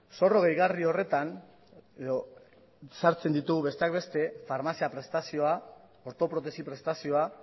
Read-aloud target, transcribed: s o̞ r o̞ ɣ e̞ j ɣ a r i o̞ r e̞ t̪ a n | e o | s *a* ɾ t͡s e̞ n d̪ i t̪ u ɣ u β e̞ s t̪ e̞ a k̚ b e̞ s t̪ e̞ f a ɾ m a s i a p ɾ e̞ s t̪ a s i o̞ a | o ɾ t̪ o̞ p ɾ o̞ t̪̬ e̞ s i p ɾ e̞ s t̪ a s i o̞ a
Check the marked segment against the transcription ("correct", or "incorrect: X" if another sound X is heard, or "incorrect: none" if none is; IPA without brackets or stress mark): correct